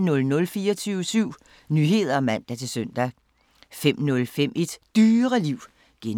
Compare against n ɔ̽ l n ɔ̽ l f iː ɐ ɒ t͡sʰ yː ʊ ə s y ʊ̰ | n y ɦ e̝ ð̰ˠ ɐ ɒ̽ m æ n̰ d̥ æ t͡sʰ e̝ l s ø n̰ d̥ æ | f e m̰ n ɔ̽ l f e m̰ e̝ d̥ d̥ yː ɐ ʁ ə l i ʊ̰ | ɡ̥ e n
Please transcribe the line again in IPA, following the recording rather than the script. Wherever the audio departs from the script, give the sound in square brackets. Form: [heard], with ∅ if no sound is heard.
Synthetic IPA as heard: n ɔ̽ l n ɔ̽ l f iː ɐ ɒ t͡sʰ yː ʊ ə s y ʊ̰ | n y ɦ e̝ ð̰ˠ ɐ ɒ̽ m æ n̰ d̥ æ t͡sʰ e̝ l s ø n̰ d̥ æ | f e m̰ n ɔ̽ l f e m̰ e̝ d̥ d̥ yː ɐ ʁ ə l i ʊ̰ | ɡ̥ e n

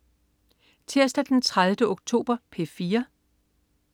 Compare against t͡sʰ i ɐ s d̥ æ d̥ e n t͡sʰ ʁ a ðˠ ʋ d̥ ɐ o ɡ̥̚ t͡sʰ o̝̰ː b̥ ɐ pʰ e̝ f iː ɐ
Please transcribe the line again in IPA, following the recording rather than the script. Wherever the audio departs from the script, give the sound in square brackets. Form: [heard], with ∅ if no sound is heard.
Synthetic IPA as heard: t͡sʰ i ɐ s d̥ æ d̥ e n t͡sʰ ʁ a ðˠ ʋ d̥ [ə] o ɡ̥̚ t͡sʰ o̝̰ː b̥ ɐ pʰ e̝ f iː ɐ

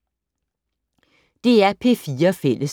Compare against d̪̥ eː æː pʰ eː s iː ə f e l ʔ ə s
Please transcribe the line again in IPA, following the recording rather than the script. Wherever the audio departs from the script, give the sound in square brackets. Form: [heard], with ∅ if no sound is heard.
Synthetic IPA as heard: d̪̥ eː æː pʰ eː [f] iː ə f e l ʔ ə s

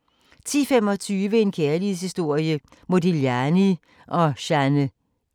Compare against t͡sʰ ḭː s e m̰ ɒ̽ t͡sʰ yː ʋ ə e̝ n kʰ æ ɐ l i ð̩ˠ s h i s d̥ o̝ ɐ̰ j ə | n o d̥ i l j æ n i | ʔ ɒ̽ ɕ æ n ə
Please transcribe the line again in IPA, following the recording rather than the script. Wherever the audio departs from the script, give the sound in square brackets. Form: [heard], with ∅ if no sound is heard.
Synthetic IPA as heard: t͡sʰ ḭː [f] e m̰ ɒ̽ t͡sʰ yː ʋ ə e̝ n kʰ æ ɐ l i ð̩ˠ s h i s d̥ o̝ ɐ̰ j ə | [m] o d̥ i l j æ n i | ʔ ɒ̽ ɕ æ n ə

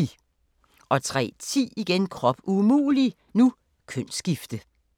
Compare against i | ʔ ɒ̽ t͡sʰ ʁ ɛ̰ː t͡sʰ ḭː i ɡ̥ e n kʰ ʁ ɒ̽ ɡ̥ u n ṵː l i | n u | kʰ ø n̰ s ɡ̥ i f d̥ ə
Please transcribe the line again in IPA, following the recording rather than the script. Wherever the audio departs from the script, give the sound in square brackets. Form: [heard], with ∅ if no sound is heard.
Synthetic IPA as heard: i | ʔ ɒ̽ t͡sʰ ʁ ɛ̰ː t͡sʰ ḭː i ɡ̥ e n kʰ ʁ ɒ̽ [b̥] u [m] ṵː l i | n u | kʰ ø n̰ s ɡ̥ i f d̥ ə

